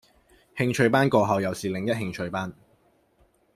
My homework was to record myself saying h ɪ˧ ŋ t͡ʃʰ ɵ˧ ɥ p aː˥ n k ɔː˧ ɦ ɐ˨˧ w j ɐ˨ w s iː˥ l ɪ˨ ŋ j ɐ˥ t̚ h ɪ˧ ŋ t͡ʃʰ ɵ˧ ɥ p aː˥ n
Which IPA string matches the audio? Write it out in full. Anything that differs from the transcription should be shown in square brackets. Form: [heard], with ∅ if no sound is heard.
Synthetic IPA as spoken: h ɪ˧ ŋ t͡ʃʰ ɵ˧ ɥ p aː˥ n k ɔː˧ ɦ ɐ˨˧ w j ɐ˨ w s [iː˨] l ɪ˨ ŋ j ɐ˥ t̚ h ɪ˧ ŋ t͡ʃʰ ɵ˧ ɥ p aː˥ n